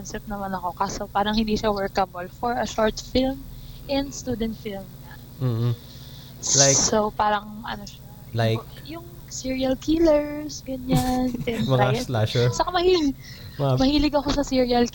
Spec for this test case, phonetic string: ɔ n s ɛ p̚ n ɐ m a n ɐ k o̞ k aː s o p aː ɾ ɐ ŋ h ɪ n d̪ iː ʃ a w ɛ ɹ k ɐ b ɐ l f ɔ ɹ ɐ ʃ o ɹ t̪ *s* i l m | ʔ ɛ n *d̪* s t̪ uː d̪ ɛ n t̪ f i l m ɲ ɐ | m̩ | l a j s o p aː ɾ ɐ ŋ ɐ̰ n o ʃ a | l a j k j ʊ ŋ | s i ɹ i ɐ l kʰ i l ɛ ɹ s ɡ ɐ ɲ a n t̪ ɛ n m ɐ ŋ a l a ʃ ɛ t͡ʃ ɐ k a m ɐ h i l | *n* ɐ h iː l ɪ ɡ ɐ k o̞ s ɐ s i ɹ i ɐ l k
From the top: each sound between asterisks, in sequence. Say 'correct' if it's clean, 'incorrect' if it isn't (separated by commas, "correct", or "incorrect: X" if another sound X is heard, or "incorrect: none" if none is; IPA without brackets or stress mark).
incorrect: f, correct, incorrect: m